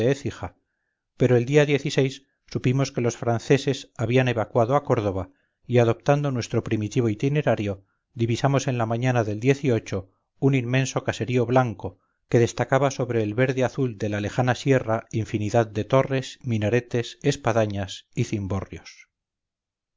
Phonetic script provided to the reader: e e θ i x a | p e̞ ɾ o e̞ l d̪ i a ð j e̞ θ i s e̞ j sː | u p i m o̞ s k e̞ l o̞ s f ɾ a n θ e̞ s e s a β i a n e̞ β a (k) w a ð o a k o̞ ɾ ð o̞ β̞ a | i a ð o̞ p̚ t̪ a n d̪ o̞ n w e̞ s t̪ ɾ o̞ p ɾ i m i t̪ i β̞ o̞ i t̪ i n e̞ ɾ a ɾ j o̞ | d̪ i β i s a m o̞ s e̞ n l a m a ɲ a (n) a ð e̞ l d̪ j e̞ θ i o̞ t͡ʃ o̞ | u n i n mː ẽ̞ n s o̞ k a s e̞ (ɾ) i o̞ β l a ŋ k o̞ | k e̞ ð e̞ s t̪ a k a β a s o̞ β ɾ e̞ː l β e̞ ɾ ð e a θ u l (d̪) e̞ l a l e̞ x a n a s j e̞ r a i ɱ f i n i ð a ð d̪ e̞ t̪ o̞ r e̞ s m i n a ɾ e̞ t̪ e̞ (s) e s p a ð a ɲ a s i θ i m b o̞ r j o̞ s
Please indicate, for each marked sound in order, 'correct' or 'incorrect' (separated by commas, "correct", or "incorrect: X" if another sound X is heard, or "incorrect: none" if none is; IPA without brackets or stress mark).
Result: correct, correct, correct, correct, correct